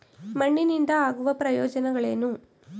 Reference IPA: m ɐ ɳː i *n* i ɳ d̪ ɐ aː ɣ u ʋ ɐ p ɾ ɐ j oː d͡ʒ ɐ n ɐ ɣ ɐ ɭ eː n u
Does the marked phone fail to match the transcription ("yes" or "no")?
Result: no